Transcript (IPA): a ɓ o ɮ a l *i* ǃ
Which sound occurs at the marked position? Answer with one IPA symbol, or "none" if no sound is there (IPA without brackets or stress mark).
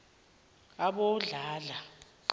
a